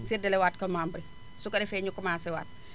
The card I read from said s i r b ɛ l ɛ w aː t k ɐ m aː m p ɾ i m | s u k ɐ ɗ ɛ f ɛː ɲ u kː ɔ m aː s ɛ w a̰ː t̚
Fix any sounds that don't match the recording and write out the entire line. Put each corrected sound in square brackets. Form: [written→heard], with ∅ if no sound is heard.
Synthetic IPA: s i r [b→d] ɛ l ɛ w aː t k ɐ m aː m [p→b] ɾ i [m→∅] | s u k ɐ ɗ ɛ f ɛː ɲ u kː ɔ m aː s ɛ w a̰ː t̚